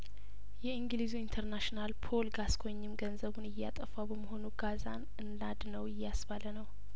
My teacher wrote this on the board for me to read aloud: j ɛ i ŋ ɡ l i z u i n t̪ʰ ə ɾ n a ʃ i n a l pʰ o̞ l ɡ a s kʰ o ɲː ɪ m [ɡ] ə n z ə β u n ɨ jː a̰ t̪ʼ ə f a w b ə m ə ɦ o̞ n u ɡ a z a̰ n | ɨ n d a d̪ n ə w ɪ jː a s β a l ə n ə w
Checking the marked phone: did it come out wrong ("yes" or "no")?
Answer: no